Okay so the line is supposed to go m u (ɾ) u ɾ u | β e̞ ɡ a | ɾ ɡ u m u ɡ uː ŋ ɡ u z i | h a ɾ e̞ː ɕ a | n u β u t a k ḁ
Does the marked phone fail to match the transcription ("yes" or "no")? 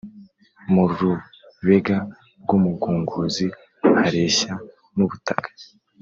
no